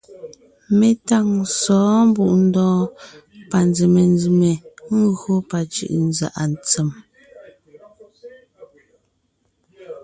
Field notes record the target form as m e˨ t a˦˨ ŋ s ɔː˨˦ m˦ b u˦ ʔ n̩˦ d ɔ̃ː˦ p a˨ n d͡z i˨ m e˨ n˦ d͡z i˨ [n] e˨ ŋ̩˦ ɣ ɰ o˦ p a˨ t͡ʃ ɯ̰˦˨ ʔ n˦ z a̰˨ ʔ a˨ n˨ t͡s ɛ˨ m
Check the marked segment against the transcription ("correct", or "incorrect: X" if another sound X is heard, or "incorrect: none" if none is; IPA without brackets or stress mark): incorrect: m